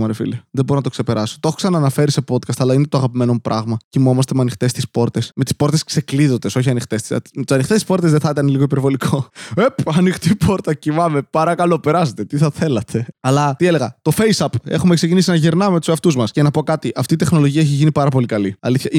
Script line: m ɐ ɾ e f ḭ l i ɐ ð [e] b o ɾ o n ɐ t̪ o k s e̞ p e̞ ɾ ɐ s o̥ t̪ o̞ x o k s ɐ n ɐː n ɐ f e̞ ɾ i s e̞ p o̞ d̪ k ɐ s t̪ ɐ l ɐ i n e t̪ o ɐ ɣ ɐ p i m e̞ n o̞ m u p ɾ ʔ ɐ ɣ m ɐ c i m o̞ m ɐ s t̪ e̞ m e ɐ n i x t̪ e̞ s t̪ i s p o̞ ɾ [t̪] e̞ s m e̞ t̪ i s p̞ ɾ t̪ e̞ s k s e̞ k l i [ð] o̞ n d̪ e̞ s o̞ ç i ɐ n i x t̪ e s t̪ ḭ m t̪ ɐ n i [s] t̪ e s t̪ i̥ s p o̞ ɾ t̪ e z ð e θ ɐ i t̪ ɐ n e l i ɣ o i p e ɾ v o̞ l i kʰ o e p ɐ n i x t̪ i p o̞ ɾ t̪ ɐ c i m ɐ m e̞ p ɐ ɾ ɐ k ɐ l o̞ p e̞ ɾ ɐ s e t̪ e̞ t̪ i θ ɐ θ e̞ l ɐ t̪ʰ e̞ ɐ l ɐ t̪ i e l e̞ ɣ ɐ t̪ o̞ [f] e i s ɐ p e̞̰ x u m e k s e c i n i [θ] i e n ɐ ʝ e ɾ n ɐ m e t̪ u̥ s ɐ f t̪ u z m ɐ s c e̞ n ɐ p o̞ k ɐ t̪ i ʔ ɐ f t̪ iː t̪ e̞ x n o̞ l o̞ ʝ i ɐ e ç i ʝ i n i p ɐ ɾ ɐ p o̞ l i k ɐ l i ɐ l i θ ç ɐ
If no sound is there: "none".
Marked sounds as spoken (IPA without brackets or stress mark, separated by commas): e, t̪, ð, x, f, s